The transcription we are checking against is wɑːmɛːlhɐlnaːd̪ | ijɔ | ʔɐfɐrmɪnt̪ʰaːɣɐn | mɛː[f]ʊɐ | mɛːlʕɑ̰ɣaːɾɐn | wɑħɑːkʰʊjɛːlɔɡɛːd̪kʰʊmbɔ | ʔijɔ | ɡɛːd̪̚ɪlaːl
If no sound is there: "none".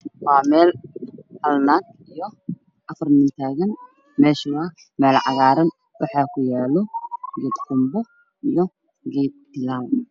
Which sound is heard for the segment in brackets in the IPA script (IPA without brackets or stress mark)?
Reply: ʃ